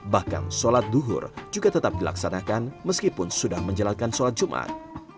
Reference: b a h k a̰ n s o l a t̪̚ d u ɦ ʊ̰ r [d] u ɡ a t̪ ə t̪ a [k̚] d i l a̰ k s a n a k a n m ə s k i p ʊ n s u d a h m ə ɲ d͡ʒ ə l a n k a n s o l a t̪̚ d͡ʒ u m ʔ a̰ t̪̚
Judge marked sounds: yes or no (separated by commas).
no, no